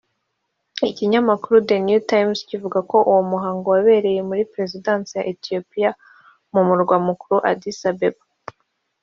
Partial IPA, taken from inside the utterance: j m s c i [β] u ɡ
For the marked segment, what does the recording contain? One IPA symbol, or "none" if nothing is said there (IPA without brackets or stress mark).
v